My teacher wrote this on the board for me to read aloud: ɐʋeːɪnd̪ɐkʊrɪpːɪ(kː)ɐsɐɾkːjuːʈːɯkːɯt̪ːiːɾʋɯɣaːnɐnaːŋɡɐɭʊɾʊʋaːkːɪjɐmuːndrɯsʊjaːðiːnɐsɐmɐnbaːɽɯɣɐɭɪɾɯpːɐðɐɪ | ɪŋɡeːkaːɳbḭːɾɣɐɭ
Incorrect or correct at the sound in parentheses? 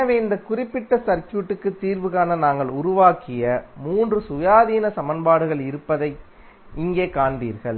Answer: incorrect: ʈː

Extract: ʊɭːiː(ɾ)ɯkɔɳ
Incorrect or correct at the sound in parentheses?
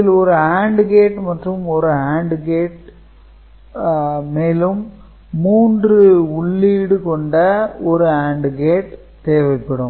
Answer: incorrect: ɽ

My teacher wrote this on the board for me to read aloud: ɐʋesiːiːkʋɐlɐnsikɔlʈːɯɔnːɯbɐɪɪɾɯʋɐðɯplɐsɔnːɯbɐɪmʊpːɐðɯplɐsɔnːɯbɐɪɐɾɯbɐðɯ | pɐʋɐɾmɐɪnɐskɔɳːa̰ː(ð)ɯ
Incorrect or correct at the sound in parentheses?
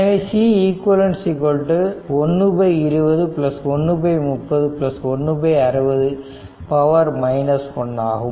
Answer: incorrect: ɣ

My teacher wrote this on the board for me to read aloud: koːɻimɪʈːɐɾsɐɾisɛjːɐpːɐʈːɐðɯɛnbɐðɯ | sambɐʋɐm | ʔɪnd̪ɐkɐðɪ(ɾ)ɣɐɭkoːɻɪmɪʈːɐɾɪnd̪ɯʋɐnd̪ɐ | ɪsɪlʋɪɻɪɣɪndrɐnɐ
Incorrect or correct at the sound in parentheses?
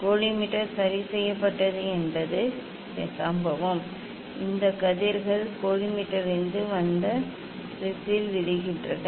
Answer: correct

